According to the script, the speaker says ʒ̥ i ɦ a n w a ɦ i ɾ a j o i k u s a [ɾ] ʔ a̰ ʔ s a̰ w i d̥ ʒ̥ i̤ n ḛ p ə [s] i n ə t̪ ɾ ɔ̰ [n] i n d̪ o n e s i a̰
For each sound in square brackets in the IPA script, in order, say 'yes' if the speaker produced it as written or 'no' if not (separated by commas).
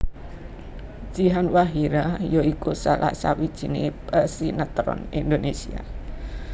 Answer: no, yes, yes